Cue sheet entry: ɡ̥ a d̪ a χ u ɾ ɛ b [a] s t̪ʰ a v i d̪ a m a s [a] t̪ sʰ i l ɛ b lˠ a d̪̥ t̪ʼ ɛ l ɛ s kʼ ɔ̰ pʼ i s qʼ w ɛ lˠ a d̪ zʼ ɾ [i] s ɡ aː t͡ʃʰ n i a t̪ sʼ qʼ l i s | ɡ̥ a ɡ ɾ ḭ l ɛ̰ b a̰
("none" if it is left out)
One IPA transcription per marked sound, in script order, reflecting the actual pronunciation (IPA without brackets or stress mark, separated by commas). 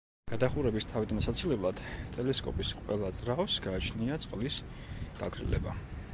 i, a, a